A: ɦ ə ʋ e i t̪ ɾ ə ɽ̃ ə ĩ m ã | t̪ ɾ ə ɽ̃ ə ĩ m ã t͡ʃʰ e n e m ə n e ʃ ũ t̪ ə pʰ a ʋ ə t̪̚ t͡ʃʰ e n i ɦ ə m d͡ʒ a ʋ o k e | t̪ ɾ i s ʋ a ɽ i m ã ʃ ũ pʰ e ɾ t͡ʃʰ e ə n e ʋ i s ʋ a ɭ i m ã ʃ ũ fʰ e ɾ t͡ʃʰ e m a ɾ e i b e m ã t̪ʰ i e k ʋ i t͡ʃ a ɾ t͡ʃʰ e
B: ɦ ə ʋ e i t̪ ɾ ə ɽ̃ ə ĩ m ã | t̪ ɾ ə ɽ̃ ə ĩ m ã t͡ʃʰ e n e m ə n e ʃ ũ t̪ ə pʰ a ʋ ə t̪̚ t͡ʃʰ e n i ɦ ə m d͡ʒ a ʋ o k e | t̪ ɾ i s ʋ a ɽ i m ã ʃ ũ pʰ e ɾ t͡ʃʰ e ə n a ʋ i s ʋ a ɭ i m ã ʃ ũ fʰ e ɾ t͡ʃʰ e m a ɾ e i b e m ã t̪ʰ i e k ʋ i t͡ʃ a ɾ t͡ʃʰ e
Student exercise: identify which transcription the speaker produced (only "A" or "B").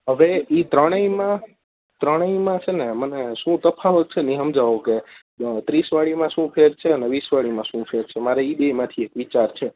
A